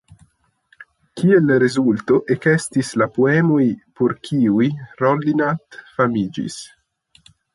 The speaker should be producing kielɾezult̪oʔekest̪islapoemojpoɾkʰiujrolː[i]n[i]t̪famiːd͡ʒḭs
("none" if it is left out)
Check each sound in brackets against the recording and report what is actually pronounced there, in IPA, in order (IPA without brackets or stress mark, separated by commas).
i, a